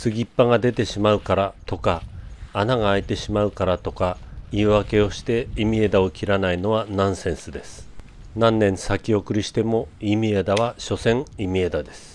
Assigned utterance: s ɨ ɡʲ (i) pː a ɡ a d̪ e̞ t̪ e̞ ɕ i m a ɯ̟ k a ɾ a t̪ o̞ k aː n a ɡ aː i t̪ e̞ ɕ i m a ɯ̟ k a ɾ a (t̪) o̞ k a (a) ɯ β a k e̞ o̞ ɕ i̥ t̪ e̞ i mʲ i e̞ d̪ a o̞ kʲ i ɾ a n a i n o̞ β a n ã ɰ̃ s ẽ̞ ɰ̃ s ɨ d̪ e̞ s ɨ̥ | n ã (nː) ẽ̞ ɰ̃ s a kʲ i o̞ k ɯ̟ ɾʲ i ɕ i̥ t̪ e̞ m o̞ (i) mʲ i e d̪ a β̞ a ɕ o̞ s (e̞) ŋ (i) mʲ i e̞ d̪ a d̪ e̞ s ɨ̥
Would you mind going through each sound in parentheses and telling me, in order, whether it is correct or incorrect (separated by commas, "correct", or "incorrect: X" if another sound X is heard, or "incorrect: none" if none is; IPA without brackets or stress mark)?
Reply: correct, correct, incorrect: i, correct, correct, incorrect: ẽ̞, correct